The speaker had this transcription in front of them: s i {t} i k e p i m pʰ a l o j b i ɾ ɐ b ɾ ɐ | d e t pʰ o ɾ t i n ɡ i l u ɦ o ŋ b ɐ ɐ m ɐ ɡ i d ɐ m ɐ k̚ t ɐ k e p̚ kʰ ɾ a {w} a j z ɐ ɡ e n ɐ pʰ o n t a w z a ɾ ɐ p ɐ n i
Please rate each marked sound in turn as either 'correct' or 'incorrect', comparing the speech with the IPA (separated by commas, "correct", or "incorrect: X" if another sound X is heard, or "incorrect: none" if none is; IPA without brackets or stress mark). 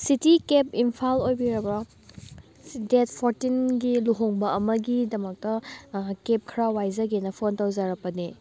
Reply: correct, correct